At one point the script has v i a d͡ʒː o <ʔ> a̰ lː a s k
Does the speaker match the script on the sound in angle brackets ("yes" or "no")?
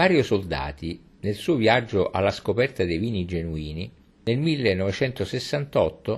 yes